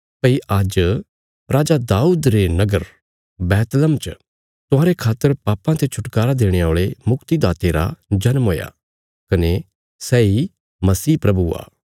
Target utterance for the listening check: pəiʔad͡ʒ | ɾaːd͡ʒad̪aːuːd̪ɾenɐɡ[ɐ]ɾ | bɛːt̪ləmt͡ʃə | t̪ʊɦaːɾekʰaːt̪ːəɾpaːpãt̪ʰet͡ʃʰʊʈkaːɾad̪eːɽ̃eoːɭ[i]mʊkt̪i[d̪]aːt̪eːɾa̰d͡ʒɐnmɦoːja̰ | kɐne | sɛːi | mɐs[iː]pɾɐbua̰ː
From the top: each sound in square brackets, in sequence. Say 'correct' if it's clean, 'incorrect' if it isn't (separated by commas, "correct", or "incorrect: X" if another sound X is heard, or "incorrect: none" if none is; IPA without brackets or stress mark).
incorrect: ə, incorrect: e, correct, correct